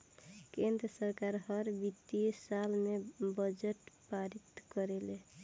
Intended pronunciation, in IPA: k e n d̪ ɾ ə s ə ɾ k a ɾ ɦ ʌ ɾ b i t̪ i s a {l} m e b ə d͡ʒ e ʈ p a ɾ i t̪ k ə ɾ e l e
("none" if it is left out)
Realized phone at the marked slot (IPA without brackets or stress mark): l